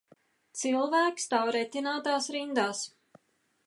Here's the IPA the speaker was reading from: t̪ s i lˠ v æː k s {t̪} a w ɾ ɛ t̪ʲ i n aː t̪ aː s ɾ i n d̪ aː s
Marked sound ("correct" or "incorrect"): correct